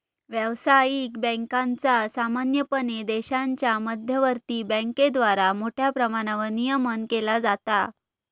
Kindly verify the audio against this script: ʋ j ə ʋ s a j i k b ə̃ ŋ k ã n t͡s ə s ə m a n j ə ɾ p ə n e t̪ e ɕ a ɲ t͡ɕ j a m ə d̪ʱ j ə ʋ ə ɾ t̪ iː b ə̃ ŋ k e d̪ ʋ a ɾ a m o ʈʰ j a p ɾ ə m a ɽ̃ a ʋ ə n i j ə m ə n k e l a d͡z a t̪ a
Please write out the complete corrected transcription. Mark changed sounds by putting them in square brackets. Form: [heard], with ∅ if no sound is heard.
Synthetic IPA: ʋ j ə ʋ s a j i k b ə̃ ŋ k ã n t͡s [a] s [a] m a n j ə [∅] p ə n e [d̪] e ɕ a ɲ t͡ɕ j a m ə d̪ʱ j ə ʋ ə ɾ t̪ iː b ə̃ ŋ k e d̪ ʋ a ɾ a m o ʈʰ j a p ɾ ə m a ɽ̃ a ʋ ə n i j ə m ə n k e l a d͡z a t̪ a

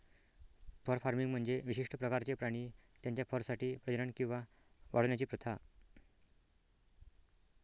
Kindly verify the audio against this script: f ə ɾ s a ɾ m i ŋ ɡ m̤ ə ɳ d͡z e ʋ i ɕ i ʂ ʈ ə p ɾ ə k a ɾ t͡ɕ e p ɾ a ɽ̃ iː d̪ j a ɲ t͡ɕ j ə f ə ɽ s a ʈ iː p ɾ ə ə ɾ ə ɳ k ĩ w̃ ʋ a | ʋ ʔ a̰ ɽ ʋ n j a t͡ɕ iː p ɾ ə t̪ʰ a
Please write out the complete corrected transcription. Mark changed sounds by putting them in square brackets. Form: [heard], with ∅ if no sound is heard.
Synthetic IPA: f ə ɾ [f] a ɾ m i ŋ ɡ m̤ ə ɳ d͡z e ʋ i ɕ i ʂ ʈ ə p ɾ ə k a ɾ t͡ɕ e p ɾ a ɽ̃ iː [t̪] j a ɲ t͡ɕ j [a] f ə [ɾ] s a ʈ iː p ɾ ə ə ɾ ə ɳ k ĩ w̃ ʋ a | ʋ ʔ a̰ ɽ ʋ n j a t͡ɕ iː p ɾ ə t̪ʰ a

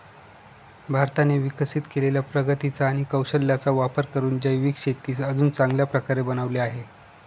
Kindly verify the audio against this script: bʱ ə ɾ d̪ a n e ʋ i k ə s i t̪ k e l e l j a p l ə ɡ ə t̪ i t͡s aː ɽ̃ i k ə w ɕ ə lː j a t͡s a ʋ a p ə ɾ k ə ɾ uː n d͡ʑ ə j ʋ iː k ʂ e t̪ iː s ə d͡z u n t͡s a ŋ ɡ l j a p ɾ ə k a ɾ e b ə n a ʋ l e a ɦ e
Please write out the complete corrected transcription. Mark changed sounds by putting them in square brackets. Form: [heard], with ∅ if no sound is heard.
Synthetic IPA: bʱ [a] ɾ [t̪] a n e ʋ i k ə s i t̪ k e l e l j a p [ɾ] ə ɡ ə t̪ i t͡s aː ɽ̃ i k ə w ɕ ə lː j a t͡s a ʋ a p ə ɾ k ə ɾ uː n d͡ʑ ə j ʋ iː k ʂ e t̪ iː s ə d͡z [uː] n t͡s a ŋ ɡ l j a p ɾ ə k a ɾ e b ə n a ʋ l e a ɦ e

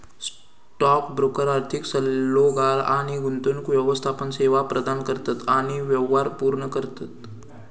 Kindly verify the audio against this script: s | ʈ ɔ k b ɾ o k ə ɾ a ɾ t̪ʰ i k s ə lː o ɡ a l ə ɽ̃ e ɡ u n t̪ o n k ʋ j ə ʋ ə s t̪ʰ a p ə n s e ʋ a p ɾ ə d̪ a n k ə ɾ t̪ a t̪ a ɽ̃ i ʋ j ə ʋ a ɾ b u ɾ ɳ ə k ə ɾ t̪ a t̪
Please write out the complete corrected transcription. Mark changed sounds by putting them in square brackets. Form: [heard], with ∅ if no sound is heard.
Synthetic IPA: s | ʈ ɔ k b ɾ o k ə ɾ a ɾ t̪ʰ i k s ə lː o ɡ a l [a] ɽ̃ [i] ɡ u n t̪ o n k ʋ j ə ʋ ə s t̪ʰ a p ə n s e ʋ a p ɾ ə d̪ a n k ə ɾ t̪ a t̪ a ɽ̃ i ʋ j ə ʋ a ɾ [p] u ɾ ɳ ə k ə ɾ t̪ a t̪

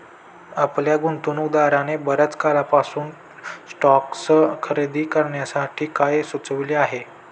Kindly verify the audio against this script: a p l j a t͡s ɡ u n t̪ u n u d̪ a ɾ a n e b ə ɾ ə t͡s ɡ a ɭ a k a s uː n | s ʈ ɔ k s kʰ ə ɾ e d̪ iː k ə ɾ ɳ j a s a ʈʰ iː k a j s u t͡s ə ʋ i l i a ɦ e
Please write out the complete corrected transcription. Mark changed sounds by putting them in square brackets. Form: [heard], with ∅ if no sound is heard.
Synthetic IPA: a p l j a [∅] ɡ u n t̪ u n u d̪ a ɾ a n e b ə ɾ ə t͡s [k] a [l] a [p] a s uː n | s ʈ ɔ k s kʰ ə ɾ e d̪ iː k ə ɾ ɳ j a s a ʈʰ iː k a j s u t͡s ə ʋ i l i a ɦ e

